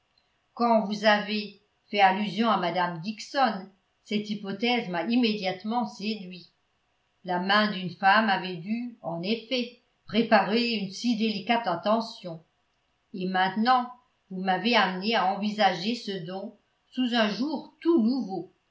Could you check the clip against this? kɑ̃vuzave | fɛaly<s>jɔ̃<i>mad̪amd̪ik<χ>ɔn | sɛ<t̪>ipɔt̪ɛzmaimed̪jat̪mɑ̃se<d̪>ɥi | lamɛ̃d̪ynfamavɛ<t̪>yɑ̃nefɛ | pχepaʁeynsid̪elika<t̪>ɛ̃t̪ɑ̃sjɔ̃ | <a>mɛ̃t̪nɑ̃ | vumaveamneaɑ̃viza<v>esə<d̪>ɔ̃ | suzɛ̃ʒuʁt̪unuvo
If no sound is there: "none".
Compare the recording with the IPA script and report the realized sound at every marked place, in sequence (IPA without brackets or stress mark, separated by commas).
z, a, s, t̪, d̪, d̪, t̪, e, ʒ, d̪